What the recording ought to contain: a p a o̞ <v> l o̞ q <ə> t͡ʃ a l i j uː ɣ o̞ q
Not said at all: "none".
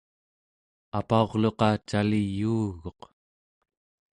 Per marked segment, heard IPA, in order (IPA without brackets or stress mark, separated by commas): ʁ, ɑ